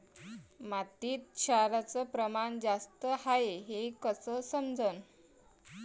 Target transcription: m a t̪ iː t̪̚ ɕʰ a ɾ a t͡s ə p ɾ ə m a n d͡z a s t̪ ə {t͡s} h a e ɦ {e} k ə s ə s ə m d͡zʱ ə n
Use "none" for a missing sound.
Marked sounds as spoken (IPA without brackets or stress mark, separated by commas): none, e